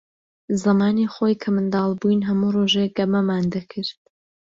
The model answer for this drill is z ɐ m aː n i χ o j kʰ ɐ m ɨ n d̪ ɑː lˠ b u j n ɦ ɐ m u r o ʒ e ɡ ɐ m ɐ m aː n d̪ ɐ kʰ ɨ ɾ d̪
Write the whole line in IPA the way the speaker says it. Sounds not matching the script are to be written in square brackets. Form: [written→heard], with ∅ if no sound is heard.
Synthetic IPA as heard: z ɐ m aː n i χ o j kʰ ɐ m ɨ n d̪ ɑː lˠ b u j n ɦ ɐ m u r o ʒ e ɡ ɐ m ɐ m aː n d̪ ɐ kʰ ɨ ɾ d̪